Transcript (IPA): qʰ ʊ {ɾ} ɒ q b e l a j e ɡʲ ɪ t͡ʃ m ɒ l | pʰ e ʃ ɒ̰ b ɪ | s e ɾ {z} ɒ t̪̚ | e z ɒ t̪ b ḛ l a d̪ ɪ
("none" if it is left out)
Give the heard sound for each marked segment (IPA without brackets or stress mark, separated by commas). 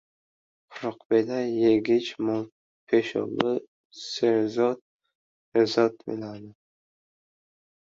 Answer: ɾ, z